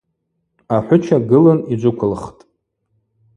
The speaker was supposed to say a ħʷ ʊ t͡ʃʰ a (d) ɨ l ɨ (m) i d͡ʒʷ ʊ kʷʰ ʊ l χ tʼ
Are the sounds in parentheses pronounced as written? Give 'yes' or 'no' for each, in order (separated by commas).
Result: no, no